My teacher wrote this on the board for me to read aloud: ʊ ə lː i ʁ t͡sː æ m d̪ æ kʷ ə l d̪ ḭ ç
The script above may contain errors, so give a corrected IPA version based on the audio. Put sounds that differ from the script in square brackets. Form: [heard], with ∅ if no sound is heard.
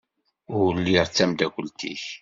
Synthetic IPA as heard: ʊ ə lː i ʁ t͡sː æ m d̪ æ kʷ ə l [t̪] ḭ ç